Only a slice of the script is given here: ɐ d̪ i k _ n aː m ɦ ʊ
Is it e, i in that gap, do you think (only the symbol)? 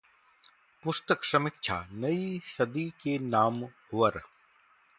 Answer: e